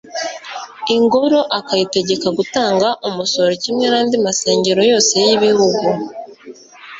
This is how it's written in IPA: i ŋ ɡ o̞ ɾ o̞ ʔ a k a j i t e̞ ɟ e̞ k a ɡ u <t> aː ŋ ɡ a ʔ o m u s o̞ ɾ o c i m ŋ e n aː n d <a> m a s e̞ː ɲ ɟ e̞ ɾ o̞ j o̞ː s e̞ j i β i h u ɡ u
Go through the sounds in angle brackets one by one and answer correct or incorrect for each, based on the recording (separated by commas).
correct, incorrect